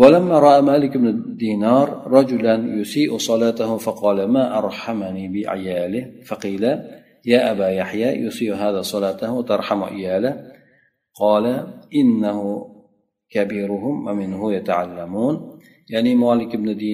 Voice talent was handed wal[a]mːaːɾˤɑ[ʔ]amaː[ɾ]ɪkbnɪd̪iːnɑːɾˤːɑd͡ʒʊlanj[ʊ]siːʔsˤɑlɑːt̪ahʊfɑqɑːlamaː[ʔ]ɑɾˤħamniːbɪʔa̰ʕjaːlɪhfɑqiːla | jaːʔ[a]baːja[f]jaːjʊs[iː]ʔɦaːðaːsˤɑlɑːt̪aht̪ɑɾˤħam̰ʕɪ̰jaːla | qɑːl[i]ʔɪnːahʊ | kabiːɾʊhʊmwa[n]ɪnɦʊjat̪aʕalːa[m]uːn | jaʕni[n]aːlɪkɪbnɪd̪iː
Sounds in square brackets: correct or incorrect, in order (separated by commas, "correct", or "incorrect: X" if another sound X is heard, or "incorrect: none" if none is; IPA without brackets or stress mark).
correct, correct, incorrect: l, correct, correct, correct, incorrect: ħ, correct, incorrect: a, incorrect: m, correct, incorrect: m